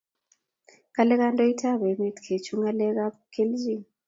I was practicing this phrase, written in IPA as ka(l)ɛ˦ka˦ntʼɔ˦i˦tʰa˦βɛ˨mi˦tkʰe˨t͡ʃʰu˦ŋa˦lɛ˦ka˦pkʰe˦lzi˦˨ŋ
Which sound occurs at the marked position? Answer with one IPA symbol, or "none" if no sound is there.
l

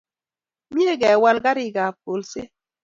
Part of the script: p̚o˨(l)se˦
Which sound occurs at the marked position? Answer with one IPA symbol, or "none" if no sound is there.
l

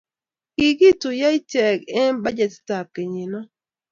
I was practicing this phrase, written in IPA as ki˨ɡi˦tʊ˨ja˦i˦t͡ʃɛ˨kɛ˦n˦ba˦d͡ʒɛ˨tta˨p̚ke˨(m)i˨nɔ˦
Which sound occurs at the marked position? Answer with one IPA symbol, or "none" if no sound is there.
ɲ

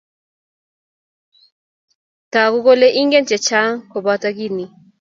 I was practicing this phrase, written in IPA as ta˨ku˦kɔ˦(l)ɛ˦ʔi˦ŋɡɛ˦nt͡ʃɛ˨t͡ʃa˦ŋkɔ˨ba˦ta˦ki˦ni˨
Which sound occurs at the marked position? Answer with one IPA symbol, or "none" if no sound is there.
l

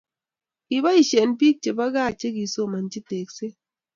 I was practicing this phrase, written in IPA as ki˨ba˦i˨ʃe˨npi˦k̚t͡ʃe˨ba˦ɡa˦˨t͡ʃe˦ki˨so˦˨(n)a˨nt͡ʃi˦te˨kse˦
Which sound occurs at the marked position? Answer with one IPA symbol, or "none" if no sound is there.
m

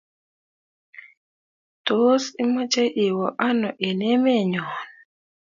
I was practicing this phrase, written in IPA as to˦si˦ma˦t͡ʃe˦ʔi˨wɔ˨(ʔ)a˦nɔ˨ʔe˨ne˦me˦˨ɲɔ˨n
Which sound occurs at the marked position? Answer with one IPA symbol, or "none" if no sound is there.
ʔ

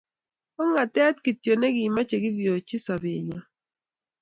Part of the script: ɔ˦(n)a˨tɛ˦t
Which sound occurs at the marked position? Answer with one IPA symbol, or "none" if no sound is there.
ŋ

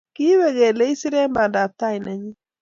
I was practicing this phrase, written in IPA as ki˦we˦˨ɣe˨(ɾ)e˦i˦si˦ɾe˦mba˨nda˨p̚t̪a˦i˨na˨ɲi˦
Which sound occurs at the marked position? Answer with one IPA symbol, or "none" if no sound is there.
l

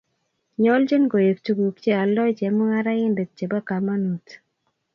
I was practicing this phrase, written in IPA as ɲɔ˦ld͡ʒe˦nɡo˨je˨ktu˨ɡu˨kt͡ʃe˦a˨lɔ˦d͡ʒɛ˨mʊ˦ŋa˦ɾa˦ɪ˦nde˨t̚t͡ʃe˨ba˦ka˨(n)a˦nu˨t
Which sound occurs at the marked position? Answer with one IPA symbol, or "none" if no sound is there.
m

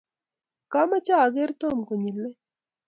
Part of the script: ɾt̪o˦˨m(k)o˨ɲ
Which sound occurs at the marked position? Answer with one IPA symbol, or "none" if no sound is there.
k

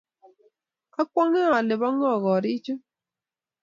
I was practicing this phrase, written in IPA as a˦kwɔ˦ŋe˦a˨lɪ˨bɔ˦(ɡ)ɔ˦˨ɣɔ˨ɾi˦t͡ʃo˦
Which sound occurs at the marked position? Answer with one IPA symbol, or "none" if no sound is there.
ŋ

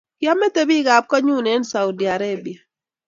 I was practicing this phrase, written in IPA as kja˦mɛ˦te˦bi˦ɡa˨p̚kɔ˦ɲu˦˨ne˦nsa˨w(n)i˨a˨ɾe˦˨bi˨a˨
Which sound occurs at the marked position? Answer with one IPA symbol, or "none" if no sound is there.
d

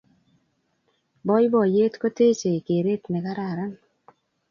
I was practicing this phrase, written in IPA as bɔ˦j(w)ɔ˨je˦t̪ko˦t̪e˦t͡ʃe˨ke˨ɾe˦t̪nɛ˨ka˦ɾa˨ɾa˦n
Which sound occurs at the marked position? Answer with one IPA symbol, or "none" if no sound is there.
b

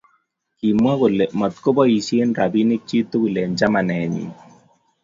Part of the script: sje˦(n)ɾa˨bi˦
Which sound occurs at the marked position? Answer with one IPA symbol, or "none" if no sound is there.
n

